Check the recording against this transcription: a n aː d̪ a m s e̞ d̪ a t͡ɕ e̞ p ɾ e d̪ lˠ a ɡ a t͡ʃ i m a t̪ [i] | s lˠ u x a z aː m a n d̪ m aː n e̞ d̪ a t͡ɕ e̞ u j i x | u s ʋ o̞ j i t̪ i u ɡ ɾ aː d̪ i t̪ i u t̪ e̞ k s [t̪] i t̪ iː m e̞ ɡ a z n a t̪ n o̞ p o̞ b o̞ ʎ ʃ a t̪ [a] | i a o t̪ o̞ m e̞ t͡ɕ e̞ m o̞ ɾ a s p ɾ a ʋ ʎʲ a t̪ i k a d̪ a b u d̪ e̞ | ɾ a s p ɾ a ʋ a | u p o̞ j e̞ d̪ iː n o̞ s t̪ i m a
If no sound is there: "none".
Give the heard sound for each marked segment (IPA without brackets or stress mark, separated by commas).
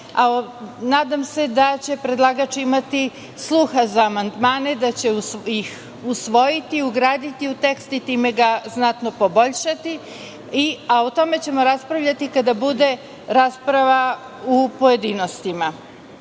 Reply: i, t̪, i